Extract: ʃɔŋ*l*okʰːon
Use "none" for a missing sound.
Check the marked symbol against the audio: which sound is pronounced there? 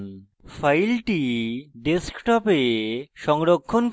ɾ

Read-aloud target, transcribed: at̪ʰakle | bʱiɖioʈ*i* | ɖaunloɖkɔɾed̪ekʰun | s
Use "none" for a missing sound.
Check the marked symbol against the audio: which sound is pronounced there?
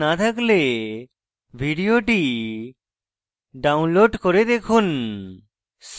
i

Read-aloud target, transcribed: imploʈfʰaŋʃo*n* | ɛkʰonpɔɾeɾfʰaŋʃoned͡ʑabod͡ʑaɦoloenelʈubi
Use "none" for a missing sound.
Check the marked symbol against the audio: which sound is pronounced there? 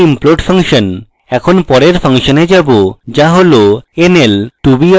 n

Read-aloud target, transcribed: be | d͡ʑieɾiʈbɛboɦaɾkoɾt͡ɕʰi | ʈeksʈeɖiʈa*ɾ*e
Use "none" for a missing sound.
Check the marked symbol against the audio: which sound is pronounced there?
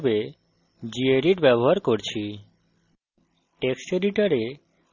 ɾ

